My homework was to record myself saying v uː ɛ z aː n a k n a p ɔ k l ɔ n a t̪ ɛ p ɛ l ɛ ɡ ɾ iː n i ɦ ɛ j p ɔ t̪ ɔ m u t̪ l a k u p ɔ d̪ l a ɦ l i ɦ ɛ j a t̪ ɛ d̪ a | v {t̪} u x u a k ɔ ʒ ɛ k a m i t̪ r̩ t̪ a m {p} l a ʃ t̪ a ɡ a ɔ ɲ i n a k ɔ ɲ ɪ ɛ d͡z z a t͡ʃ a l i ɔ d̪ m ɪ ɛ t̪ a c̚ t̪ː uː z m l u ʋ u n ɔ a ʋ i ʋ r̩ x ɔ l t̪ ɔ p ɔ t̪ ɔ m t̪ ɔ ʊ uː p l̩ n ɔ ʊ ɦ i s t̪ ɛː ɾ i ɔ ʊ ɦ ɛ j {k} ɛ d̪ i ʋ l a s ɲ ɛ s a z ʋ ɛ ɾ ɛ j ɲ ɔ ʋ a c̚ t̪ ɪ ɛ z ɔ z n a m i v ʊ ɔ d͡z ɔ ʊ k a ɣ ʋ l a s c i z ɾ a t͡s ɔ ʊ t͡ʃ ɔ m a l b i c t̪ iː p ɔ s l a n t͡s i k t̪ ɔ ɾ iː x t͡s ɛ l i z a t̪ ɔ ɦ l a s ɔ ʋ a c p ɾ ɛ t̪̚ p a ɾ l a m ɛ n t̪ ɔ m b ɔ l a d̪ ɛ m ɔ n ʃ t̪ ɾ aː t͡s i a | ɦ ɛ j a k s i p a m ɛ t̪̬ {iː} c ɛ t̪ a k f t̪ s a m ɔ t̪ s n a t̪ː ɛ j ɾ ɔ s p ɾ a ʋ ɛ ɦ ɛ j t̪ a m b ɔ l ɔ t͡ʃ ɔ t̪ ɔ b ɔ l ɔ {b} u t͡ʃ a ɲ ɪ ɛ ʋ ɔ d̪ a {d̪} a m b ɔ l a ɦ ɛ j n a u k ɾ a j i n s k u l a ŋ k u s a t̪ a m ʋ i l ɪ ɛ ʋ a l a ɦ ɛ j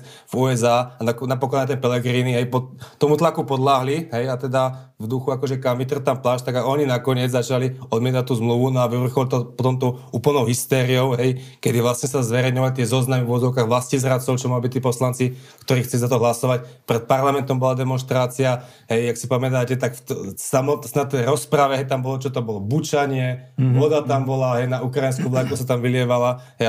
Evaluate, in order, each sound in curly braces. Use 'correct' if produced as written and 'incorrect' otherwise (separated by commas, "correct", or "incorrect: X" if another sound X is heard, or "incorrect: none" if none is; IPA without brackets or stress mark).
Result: incorrect: d̪, correct, correct, incorrect: aː, correct, incorrect: t̪